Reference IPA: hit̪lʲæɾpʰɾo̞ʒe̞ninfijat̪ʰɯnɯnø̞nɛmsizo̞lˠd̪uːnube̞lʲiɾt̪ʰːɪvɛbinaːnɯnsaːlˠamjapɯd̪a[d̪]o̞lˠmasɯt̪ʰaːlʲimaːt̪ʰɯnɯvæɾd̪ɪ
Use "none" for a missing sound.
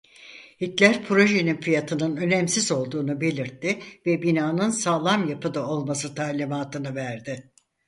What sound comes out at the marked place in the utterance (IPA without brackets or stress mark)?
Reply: none